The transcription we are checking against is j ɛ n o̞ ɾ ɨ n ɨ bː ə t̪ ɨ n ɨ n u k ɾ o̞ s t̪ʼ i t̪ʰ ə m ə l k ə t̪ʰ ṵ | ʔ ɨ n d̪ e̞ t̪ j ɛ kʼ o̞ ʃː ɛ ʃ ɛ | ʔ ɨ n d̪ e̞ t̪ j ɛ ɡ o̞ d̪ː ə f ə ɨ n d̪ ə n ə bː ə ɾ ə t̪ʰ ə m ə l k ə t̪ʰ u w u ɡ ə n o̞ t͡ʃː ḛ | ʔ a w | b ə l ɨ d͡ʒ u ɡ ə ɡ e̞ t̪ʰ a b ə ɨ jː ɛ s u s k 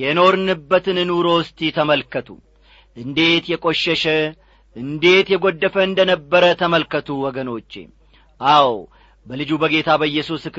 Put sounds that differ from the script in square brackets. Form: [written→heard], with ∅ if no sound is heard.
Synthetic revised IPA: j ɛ n o̞ ɾ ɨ n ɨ bː ə t̪ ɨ n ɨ n u [k→∅] ɾ o̞ s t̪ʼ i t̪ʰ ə m ə l k ə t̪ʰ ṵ | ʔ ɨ n d̪ e̞ t̪ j ɛ kʼ o̞ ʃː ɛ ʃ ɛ | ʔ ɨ n d̪ e̞ t̪ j ɛ ɡ o̞ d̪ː ə f ə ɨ n d̪ ə n ə bː ə ɾ ə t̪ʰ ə m ə l k ə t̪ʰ u w [u→ɔ] ɡ ə n o̞ t͡ʃː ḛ | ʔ a w | b ə l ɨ d͡ʒ u [ɡ→b] ə ɡ e̞ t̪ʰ a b ə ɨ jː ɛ s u s k